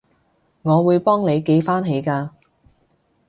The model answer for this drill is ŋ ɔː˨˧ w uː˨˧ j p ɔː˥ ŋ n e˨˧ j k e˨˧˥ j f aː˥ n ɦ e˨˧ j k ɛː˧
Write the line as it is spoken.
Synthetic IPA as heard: ŋ ɔː˨˧ w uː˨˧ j p ɔː˥ ŋ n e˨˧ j k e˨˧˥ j f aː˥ n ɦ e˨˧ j k aː˧